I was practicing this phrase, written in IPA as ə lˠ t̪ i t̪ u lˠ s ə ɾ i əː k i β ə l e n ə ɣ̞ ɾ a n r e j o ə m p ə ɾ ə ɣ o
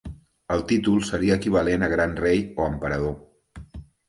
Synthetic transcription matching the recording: ə lˠ t̪ i t̪ u lˠ s ə ɾ i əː k i β ə l e n ə ɣ̞ ɾ a n r e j o ə m p ə ɾ ə ð o

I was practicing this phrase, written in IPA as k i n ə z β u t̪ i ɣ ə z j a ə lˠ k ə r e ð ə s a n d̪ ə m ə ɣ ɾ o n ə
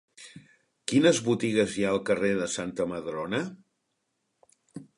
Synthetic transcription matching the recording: k i n ə z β u t̪ i ɣ ə z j a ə lˠ k ə r e ð ə s a n t̪ ə m ə ð ɾ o n ə

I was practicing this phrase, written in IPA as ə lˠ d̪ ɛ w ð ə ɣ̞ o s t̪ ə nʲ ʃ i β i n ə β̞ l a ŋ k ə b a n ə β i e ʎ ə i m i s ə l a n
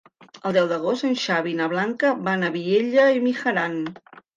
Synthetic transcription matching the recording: ə lˠ d̪ ɛ w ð ə ɣ̞ o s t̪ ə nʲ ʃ a β i n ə β̞ l a ŋ k ə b a n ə β i e ʎ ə i m i x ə ɾ a n

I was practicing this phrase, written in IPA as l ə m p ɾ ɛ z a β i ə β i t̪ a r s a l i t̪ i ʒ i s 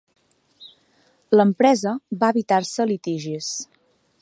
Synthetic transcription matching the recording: l ə m p ɾ ɛ z ə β a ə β i t̪ a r s ə l i t̪ i ʒ i s

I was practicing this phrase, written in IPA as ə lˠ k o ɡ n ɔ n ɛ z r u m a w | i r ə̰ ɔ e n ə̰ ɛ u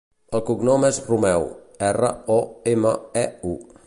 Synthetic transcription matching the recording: ə lˠ k u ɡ n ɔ m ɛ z r u m ɛ w | ɛ r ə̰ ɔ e m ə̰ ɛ u

